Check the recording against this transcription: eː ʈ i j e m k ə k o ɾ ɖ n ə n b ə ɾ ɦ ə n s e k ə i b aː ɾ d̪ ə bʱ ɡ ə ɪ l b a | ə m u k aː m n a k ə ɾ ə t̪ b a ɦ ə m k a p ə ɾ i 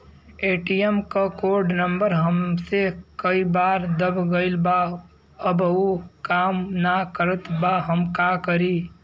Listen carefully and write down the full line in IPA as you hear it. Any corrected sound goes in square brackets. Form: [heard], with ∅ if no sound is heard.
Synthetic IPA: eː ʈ i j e m k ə k o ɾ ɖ n ə [m] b ə ɾ ɦ ə [m] s e k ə i b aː ɾ d̪ ə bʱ ɡ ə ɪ l b a | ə [b] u k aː m n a k ə ɾ ə t̪ b a ɦ ə m k a [k] ə ɾ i